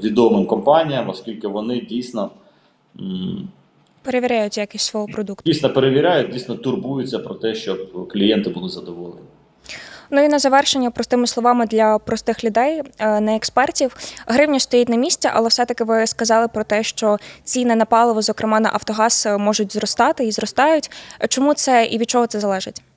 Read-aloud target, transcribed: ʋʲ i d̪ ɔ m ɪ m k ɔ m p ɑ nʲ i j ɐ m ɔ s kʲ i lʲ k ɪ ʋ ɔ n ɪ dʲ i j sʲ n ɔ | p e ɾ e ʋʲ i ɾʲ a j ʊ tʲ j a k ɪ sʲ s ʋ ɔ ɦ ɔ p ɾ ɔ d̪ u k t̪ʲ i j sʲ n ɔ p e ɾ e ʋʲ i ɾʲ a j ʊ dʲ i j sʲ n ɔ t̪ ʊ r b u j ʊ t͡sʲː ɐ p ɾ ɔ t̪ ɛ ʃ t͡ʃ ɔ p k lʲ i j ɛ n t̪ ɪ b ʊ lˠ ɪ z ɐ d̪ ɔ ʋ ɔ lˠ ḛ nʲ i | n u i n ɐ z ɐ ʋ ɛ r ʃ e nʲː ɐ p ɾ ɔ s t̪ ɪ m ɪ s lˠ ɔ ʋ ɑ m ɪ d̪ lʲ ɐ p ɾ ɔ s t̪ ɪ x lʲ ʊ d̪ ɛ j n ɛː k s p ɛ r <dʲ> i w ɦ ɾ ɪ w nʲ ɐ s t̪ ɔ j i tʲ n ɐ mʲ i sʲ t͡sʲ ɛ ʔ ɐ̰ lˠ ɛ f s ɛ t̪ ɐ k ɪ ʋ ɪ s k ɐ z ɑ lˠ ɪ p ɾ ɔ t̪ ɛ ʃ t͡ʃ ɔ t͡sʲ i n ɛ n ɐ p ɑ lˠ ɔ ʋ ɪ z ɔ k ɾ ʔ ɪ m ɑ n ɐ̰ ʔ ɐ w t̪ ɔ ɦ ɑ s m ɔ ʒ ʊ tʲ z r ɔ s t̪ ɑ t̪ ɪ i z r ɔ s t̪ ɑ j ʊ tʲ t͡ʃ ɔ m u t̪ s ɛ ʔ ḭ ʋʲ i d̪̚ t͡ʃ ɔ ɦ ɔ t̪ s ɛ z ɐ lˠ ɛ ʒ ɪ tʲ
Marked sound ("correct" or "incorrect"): incorrect